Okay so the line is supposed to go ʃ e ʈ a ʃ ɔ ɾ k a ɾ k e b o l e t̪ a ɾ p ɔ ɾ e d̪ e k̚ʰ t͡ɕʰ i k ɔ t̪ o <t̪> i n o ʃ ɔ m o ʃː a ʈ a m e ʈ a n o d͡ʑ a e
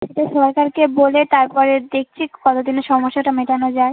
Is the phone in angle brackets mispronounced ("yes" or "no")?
yes